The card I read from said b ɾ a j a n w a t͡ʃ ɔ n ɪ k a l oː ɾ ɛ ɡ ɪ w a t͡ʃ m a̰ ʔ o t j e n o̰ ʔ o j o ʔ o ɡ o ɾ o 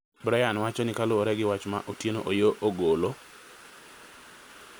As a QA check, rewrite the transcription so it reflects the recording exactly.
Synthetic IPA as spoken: b ɾ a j a n w a t͡ʃ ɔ n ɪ k a l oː ɾ ɛ ɡ ɪ w a t͡ʃ m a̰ ʔ o t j e n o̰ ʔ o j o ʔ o ɡ o l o